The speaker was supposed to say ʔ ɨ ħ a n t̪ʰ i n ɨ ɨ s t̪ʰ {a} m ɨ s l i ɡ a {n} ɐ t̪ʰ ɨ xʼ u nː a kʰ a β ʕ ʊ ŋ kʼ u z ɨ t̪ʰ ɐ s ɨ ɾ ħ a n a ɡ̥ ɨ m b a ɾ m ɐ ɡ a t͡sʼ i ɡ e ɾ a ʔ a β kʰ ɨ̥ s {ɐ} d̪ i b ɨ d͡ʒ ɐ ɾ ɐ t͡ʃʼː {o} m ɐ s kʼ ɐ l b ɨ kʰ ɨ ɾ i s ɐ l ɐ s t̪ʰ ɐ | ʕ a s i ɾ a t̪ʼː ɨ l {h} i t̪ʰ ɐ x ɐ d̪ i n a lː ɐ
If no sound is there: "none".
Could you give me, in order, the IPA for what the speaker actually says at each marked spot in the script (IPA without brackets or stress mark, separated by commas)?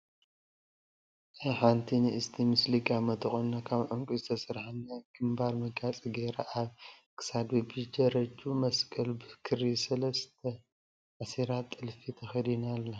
i, m, a, u, f